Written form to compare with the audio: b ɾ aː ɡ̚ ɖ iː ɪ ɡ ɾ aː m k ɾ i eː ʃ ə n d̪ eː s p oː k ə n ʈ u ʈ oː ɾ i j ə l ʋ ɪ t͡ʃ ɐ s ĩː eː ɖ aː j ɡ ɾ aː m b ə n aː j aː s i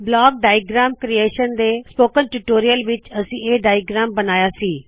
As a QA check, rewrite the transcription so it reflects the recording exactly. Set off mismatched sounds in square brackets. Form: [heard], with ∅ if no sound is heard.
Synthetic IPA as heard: b [l] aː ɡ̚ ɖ [aː] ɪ ɡ ɾ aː m k ɾ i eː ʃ ə n d̪ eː s p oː k ə n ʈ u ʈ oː ɾ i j ə l ʋ ɪ t͡ʃ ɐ s ĩː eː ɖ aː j ɡ ɾ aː m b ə n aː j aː s [iː]